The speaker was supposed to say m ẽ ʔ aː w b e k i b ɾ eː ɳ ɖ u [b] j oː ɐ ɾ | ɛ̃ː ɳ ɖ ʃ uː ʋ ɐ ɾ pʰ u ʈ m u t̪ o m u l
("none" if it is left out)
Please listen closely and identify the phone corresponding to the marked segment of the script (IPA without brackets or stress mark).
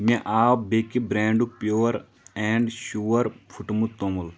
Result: p